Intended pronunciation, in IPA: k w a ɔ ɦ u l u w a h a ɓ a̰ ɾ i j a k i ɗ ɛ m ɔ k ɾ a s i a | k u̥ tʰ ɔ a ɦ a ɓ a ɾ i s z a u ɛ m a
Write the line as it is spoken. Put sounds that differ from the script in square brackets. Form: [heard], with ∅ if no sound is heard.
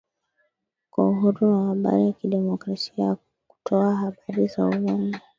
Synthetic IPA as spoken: k w a [u] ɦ u [ɾ] u w a h a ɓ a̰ ɾ i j a k i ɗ ɛ m ɔ k ɾ a s i a | k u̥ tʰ ɔ a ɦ a ɓ a ɾ i [∅] z a u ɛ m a